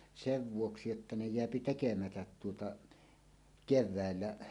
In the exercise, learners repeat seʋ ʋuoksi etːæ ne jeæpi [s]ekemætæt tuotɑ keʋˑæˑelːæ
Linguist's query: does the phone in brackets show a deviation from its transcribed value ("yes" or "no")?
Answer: yes